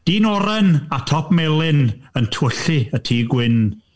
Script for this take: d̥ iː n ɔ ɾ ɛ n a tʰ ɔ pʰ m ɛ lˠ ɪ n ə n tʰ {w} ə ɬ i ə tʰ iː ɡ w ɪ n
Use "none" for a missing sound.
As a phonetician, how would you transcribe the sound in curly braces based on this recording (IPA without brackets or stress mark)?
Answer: w